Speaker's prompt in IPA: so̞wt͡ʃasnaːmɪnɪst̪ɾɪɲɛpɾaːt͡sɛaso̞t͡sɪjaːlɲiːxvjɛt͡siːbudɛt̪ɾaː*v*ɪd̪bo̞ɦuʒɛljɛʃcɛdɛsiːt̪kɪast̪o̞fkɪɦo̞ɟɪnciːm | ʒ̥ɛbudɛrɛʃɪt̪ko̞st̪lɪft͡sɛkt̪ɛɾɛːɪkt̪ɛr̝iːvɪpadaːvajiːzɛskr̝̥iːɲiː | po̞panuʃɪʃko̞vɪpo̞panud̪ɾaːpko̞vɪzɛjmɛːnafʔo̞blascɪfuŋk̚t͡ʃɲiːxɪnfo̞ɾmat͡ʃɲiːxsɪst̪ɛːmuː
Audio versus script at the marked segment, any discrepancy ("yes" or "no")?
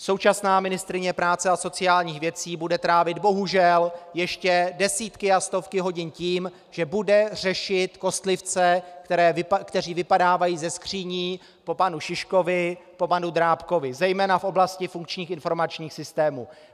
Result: no